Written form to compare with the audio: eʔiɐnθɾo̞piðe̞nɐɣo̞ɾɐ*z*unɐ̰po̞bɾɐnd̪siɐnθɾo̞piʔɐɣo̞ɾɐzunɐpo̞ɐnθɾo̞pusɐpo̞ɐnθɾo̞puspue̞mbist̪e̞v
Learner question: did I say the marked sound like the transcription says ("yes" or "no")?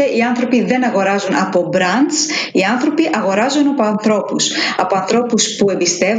yes